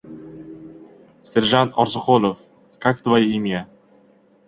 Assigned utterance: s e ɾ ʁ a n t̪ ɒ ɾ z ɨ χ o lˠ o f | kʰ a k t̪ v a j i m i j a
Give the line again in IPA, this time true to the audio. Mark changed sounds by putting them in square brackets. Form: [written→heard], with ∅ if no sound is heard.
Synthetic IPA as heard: s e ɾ [ʁ→ʒ] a n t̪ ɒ ɾ z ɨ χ o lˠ o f | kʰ a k t̪ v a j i m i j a